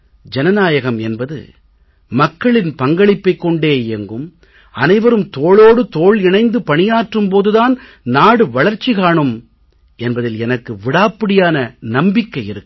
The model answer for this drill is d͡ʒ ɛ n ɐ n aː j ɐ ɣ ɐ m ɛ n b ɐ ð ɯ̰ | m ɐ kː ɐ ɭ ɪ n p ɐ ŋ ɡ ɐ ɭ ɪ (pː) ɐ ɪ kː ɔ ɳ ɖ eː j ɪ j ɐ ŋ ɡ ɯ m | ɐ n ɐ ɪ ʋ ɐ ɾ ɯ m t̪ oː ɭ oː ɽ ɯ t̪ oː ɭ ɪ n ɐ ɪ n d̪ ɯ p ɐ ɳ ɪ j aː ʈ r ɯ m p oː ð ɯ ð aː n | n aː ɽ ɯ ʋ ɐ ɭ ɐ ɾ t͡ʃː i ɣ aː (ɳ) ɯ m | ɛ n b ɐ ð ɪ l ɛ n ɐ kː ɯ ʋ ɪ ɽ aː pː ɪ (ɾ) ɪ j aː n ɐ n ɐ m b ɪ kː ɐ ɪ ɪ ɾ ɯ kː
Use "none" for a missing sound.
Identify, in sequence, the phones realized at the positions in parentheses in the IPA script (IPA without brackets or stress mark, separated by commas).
pː, ɳ, ɽ